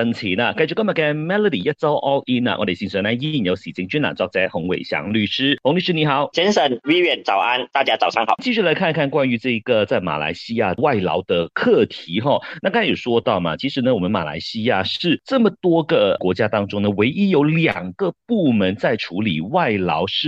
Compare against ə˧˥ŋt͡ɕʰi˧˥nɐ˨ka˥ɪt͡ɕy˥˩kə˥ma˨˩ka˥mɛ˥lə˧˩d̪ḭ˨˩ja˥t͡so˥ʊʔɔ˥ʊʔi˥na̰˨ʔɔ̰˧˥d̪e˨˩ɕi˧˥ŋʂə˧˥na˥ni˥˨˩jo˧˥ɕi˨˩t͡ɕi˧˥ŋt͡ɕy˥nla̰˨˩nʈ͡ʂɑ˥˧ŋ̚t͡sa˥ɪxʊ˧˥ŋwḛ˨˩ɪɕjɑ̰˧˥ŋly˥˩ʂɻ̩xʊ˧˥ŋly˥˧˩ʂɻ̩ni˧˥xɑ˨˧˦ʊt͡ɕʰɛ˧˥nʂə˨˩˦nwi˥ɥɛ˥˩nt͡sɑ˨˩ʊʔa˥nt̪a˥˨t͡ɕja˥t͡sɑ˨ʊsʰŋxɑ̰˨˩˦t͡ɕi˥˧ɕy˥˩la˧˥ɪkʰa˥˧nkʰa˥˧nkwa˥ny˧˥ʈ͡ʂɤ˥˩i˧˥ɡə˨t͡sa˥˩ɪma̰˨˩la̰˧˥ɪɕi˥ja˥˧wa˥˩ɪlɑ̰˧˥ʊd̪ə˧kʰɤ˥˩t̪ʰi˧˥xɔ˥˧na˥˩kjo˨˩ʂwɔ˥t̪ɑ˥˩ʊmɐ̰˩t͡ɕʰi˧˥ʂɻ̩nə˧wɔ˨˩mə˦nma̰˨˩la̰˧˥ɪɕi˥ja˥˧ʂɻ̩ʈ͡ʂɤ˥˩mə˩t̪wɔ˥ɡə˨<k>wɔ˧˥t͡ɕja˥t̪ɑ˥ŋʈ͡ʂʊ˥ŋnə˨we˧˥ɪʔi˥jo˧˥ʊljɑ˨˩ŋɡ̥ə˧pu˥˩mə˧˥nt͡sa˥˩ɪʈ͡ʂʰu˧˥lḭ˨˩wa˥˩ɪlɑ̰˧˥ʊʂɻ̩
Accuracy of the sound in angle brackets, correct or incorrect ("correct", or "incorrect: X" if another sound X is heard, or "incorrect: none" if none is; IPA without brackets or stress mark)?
correct